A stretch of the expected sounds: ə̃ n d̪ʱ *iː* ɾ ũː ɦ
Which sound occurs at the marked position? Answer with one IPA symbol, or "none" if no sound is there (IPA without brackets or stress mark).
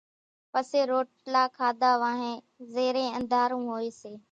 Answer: aː